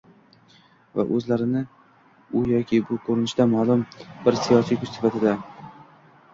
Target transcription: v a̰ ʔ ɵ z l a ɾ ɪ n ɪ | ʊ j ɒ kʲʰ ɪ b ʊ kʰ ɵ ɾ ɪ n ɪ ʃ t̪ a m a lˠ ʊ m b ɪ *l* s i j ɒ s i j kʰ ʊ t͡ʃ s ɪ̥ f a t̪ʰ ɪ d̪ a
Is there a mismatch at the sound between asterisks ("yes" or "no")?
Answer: yes